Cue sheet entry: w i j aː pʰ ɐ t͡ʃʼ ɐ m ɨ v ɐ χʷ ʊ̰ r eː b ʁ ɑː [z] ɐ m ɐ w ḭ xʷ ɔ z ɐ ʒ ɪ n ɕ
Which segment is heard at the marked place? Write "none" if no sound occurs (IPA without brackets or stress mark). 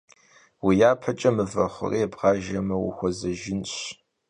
ʒ